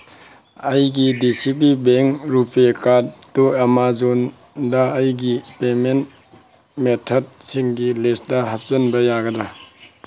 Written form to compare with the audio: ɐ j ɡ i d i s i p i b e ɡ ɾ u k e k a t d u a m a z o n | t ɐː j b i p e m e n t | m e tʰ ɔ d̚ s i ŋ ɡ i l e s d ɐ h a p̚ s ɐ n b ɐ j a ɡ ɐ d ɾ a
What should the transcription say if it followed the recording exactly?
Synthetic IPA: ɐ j ɡ i d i s i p i b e ŋ ɾ u p e k a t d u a m a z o n | d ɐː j ɡ i p e m e n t | m e tʰ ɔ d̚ s i ŋ ɡ i l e s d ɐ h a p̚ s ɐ n b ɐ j a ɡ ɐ d ɾ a